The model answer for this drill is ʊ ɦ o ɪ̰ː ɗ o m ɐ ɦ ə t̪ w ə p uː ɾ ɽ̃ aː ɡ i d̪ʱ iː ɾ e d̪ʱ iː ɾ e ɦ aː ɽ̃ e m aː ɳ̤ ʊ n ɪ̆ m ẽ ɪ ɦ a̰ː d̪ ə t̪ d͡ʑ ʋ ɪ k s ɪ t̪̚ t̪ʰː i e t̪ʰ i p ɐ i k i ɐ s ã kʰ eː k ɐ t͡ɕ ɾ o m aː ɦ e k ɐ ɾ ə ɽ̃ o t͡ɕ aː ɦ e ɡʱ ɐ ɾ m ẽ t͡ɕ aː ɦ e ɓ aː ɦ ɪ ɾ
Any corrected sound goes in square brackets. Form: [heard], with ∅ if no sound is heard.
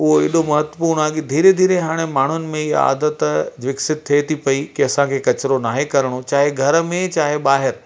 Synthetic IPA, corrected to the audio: ʊ ɦ o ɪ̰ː ɗ o m ɐ ɦ ə t̪ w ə p uː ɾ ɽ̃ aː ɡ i d̪ʱ iː ɾ e d̪ʱ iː ɾ e ɦ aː ɽ̃ e m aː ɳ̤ ʊ n ɪ̆ m ẽ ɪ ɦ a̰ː d̪ ə t̪ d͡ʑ ʋ ɪ k s ɪ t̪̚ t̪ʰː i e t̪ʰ i p ɐ i k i ɐ s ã kʰ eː k ɐ t͡ɕ ɾ o [n] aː ɦ e k ɐ ɾ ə ɽ̃ o t͡ɕ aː ɦ e ɡʱ ɐ ɾ m ẽ t͡ɕ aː ɦ e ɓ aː ɦ ɪ ɾ